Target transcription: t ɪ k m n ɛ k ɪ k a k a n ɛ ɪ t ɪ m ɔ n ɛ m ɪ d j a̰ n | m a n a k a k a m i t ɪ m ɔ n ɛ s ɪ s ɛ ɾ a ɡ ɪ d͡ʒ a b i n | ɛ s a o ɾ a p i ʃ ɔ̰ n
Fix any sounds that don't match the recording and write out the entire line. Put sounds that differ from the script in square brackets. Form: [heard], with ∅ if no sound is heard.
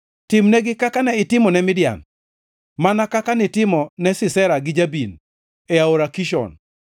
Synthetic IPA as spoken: t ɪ [∅] m n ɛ [ɡ] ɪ k a k a n ɛ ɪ t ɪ m ɔ n ɛ m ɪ d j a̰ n | m a n a k a k a [n] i t ɪ m ɔ n ɛ s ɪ s ɛ ɾ a ɡ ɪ d͡ʒ a b i n | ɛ [∅] a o ɾ a [k] i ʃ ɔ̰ n